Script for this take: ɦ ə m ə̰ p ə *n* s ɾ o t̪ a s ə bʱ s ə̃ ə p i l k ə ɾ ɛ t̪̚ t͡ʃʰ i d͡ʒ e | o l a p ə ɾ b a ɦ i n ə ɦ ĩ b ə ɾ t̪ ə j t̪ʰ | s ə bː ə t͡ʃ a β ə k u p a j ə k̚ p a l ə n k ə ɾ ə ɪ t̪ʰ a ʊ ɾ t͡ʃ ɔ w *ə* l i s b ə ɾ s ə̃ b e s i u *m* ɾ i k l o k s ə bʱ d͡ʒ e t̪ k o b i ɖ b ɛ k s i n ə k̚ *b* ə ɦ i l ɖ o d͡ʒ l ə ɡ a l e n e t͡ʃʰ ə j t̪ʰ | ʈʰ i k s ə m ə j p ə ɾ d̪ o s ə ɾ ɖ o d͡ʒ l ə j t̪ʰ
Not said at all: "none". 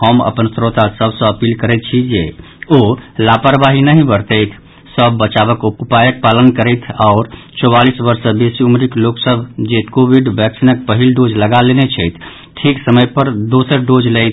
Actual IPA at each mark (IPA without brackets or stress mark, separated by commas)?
n, a, m, p